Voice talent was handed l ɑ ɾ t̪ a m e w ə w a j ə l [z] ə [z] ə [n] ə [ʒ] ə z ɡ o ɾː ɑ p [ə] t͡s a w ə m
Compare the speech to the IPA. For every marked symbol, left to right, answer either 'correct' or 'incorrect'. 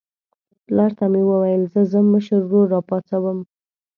correct, correct, incorrect: m, incorrect: ʃ, incorrect: ɑ

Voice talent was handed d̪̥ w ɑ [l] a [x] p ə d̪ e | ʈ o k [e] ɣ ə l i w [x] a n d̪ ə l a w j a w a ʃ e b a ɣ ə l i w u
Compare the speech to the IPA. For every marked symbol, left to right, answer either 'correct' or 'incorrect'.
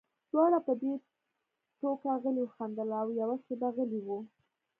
incorrect: ɽ, incorrect: none, incorrect: a, correct

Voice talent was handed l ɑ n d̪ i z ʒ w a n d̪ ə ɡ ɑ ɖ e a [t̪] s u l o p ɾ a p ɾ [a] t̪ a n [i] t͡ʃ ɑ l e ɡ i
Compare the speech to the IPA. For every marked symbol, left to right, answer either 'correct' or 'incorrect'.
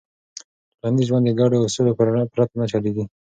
incorrect: none, correct, incorrect: a

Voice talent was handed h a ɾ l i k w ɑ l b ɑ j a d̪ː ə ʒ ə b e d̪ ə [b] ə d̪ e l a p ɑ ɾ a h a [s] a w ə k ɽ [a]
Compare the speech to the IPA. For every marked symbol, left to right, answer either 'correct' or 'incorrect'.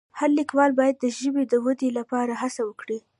incorrect: w, correct, incorrect: i

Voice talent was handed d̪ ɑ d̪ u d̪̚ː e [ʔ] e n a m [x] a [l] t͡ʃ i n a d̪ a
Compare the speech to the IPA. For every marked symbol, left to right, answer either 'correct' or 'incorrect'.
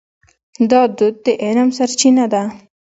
correct, incorrect: s, incorrect: ɾ

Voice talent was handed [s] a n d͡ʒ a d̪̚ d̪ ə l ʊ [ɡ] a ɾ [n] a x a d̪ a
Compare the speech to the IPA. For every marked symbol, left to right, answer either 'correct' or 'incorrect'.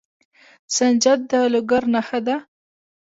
correct, correct, correct

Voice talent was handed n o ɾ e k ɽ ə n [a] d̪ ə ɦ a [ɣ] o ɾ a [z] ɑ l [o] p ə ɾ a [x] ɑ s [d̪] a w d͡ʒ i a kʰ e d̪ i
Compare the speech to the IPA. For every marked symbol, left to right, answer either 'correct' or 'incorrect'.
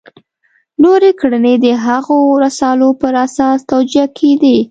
incorrect: e, correct, incorrect: s, correct, incorrect: s, incorrect: t̪

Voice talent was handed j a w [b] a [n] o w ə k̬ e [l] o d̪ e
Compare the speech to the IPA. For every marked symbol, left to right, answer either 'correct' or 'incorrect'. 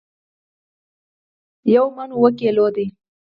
incorrect: m, correct, correct

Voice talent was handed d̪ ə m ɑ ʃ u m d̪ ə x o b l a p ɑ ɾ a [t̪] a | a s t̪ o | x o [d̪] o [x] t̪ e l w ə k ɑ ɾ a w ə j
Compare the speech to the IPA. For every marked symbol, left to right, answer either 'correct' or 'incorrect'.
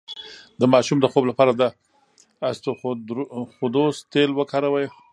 incorrect: d̪, correct, incorrect: s

